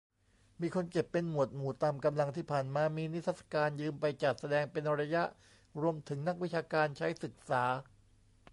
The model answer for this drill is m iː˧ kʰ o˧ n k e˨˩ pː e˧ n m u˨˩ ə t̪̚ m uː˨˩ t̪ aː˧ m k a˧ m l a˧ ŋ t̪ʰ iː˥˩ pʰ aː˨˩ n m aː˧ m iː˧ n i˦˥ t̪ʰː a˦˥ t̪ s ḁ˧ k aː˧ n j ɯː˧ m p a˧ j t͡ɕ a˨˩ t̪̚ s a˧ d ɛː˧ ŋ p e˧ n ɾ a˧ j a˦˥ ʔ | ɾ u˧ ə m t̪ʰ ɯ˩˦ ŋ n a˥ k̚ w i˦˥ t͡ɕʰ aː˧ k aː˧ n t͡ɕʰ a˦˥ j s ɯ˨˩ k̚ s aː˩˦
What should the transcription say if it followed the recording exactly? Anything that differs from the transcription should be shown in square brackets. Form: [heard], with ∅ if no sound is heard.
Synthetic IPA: m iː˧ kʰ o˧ n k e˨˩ pː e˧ n m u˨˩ ə t̪̚ m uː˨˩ t̪ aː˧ m k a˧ m l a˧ ŋ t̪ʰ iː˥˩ pʰ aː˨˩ n m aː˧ m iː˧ n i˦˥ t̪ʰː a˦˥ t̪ s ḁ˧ k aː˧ n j ɯː˧ m p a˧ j t͡ɕ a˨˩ t̪̚ s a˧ d ɛː˧ ŋ p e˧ n ɾ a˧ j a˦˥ ʔ | ɾ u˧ ə m t̪ʰ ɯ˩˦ ŋ n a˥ k̚ w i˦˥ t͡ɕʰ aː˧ k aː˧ n t͡ɕʰ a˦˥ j s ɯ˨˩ k̚ s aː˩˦